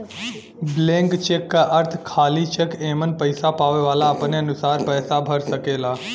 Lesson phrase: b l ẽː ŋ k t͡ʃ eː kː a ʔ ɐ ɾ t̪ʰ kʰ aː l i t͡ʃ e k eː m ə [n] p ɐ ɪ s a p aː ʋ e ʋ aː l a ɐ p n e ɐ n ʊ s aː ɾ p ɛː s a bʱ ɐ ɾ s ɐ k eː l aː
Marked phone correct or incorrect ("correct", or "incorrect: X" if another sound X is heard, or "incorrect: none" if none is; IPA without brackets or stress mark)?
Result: correct